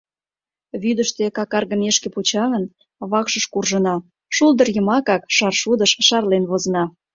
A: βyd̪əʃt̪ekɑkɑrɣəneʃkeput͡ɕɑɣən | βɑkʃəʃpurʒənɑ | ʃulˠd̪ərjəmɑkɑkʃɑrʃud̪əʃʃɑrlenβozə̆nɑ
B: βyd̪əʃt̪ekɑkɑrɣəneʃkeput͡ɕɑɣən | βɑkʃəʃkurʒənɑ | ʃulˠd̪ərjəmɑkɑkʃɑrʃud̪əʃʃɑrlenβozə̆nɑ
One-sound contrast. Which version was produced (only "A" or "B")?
B